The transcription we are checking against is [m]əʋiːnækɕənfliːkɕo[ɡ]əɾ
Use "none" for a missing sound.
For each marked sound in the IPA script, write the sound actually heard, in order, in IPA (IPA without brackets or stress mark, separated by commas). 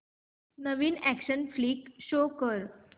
n, k